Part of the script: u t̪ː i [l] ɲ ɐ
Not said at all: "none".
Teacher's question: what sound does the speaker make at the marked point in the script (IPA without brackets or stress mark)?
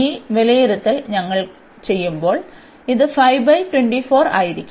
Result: l